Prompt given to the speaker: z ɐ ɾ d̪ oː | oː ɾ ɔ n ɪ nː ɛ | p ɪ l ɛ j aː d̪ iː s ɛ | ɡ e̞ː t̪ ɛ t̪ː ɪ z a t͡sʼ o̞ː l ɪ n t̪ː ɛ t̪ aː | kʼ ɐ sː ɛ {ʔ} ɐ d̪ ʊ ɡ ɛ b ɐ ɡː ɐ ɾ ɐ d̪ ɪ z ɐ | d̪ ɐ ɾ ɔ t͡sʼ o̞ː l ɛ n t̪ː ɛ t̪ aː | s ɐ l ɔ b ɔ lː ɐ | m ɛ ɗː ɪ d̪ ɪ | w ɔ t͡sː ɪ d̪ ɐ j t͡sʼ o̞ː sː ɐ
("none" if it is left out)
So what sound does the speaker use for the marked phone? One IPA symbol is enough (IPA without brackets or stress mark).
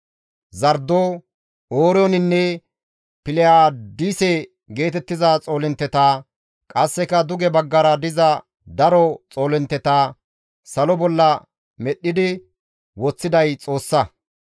k